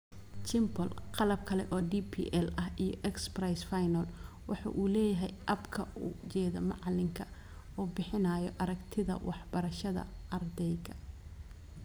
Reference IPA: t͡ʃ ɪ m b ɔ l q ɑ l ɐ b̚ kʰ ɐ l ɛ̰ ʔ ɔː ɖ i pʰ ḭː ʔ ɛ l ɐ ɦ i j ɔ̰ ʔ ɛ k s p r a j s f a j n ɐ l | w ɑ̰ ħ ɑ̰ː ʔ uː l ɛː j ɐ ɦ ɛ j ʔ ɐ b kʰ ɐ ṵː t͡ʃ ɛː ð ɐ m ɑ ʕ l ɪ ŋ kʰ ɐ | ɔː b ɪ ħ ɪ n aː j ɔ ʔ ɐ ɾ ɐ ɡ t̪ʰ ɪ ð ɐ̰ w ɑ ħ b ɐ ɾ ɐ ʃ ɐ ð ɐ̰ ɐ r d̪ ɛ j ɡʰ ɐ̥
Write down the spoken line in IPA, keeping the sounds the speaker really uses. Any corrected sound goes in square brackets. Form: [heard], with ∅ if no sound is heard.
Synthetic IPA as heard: t͡ʃ ɪ m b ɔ l q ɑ l ɐ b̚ kʰ ɐ l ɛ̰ ʔ ɔː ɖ i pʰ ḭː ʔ ɛ l ɐ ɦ i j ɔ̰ ʔ ɛ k s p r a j s f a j n ɐ l | w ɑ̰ ħ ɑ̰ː ʔ uː l ɛː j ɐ ɦ ɛ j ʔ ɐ b kʰ ɐ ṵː t͡ʃ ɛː ð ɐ m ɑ ʕ l ɪ ŋ kʰ ɐ | ɔː b ɪ ħ ɪ n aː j ɔ ʔ ɐ ɾ ɐ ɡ t̪ʰ ɪ ð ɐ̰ w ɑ ħ b ɐ ɾ ɐ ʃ ɐ ð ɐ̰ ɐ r d̪ ɛ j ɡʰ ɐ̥